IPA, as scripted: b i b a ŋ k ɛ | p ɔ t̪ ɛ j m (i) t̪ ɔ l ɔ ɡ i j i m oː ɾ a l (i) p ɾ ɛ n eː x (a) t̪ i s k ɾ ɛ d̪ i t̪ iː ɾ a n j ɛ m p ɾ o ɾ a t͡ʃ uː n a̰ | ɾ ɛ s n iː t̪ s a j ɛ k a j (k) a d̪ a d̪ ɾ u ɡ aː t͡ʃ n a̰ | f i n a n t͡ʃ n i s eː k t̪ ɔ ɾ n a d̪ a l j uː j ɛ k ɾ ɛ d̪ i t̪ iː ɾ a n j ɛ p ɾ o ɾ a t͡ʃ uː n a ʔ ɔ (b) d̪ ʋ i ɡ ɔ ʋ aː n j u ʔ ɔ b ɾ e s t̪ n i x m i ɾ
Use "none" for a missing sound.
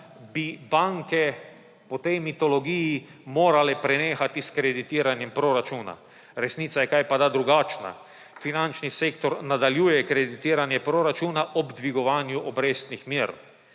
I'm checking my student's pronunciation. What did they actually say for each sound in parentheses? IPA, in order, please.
i, ɛ, a, p, b

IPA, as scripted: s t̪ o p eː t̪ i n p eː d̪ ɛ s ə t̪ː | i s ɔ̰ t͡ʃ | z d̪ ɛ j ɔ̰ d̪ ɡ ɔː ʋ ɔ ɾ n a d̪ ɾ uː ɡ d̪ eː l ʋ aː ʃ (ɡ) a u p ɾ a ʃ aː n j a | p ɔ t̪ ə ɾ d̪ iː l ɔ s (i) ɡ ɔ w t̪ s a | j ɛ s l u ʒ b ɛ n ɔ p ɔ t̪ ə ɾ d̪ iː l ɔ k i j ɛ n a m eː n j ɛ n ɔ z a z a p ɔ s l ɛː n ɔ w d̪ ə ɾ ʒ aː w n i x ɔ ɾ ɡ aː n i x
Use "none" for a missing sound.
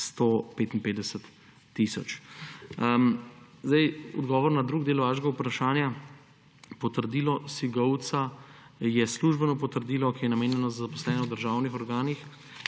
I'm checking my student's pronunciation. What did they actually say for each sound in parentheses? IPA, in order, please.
ɡ, i

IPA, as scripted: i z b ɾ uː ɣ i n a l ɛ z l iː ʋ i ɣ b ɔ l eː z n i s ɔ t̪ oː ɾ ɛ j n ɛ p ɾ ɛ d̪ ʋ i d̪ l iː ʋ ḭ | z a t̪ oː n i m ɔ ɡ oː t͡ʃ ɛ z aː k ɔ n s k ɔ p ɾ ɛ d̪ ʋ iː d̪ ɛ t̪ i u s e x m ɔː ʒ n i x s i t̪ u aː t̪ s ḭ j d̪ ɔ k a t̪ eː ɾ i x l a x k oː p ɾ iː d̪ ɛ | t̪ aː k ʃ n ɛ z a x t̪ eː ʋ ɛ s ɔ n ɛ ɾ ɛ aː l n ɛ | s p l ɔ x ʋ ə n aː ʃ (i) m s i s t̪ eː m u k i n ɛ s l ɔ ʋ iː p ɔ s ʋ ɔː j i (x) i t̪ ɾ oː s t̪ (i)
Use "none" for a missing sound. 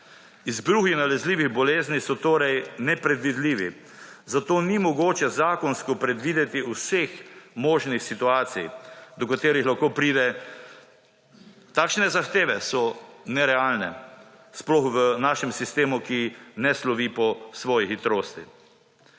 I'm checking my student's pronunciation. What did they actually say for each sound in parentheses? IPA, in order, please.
ɛ, x, i

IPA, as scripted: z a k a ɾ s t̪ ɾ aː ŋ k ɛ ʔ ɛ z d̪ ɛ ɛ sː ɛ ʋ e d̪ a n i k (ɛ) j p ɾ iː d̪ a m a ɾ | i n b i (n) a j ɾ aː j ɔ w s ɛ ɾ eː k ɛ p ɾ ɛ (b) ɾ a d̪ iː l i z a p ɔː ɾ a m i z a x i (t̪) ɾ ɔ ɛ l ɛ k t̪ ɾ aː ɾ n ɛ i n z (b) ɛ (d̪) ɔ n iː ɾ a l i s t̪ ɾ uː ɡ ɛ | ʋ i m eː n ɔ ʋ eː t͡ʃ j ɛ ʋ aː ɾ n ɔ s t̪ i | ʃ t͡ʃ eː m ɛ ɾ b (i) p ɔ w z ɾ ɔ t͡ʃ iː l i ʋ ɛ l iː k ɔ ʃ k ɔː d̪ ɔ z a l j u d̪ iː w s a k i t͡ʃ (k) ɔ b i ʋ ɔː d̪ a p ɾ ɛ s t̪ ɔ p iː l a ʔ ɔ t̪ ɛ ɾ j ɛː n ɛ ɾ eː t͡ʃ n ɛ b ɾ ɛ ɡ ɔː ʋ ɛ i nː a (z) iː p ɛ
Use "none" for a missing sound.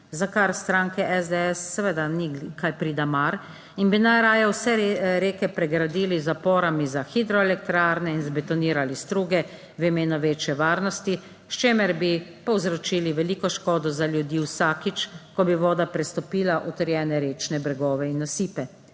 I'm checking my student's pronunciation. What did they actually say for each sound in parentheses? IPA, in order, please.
a, n, ɡ, d̪, b, t̪, i, k, s

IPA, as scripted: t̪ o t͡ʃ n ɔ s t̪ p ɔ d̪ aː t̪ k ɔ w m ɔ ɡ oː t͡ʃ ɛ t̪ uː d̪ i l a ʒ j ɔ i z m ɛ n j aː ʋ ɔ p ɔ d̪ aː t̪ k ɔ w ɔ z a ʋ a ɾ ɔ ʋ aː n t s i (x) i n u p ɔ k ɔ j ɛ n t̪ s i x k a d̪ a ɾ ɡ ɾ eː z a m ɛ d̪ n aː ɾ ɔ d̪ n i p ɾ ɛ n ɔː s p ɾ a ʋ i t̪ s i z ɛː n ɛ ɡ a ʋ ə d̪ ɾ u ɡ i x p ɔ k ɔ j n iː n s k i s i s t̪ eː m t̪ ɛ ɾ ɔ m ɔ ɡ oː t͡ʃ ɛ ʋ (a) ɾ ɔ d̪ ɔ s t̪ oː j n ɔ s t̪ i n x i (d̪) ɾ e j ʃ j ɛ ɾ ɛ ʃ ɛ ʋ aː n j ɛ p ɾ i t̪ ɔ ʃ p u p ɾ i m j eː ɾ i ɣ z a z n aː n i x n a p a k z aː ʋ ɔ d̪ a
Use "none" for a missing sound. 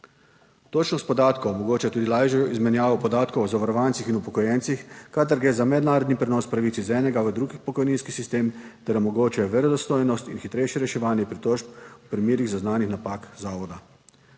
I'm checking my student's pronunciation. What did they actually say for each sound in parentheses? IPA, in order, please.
x, ɛ, t̪

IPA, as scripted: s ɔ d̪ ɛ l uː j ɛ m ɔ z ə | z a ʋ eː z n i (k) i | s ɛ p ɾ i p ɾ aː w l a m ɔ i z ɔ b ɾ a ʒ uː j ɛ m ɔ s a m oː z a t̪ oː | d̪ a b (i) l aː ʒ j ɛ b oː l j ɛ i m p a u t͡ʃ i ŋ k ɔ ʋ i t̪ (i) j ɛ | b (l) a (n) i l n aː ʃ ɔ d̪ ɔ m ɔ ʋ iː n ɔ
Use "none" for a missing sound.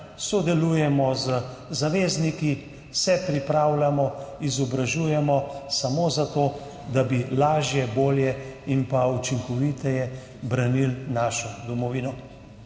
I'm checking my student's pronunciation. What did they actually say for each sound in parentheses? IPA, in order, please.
k, i, ɛ, ɾ, n

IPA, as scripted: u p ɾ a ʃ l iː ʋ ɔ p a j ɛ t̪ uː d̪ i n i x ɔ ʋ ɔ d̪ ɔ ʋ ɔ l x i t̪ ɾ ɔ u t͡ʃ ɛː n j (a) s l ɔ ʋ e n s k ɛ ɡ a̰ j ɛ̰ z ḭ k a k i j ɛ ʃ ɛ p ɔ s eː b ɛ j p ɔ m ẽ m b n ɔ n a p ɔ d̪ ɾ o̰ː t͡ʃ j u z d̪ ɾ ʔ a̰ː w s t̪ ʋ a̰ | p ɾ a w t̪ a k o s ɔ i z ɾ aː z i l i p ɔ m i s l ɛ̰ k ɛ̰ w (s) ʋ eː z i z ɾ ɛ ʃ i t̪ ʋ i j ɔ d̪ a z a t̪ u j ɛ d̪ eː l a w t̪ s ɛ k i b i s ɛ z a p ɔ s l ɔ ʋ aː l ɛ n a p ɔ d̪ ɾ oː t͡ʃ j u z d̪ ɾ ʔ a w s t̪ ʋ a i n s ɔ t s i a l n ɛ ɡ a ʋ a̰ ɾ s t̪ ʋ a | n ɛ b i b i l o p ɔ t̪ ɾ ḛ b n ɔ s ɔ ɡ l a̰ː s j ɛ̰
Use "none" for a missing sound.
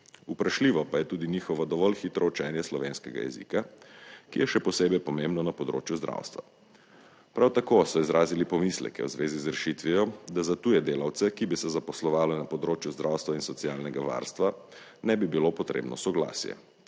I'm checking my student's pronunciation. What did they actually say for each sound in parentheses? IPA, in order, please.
ɛ, z

